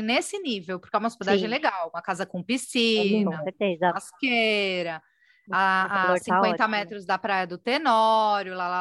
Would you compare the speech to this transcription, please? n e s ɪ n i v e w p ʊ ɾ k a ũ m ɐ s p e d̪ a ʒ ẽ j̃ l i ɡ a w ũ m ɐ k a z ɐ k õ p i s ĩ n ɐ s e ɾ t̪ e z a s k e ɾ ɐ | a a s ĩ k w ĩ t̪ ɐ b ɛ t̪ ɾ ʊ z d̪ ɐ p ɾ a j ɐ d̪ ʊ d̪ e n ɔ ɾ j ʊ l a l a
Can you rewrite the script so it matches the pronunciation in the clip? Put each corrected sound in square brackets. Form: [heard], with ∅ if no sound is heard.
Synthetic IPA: n e s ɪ n i v e w p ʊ ɾ k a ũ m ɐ s p e d̪ a ʒ ẽ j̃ l [e] ɡ a w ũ m ɐ k a z ɐ k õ p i s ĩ n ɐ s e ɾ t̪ e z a s k e ɾ ɐ | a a s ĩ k w [ẽ] t̪ ɐ [m] ɛ t̪ ɾ ʊ z d̪ ɐ p ɾ a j ɐ d̪ ʊ [t̪] e n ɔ ɾ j ʊ l a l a